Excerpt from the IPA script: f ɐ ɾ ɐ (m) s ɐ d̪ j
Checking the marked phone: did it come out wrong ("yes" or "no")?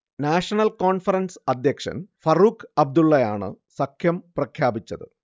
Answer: yes